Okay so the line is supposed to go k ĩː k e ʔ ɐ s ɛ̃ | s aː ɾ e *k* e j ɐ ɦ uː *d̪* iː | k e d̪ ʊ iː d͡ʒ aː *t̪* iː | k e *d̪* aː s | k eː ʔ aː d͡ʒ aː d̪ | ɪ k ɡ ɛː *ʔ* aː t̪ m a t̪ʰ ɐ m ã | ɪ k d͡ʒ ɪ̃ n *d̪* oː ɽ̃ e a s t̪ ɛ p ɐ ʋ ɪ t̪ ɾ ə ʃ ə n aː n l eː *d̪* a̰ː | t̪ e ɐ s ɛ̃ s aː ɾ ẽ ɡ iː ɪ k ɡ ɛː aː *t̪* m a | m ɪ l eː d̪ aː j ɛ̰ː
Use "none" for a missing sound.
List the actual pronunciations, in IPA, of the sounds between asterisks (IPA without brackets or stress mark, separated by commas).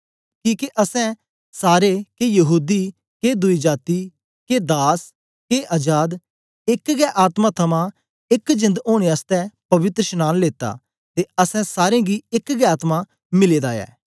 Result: k, d̪, t̪, d̪, ʔ, d̪, t̪, t̪